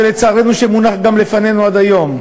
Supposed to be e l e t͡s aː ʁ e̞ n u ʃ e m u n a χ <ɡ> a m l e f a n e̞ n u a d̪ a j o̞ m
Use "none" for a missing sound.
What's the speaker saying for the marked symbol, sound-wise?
ɡ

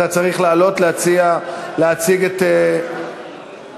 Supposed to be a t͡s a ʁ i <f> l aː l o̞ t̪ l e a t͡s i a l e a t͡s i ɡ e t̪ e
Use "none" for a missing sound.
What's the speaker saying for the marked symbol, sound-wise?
χ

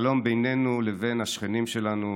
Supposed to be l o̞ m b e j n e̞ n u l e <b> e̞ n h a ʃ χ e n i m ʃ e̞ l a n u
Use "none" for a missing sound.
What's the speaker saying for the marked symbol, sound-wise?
v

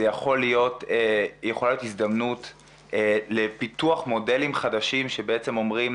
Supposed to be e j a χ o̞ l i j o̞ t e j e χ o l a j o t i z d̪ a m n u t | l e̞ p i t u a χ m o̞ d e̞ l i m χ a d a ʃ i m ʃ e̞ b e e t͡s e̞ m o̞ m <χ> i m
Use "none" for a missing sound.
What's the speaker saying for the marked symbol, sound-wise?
ʁ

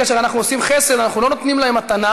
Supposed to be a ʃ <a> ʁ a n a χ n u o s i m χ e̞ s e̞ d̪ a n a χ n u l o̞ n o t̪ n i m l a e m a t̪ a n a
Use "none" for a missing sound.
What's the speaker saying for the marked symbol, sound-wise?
e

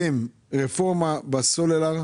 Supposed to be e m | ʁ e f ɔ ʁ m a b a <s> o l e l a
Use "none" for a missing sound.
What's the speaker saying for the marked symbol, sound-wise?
s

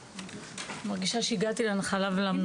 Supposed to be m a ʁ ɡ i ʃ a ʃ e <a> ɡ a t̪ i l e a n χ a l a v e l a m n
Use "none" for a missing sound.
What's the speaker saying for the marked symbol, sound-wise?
i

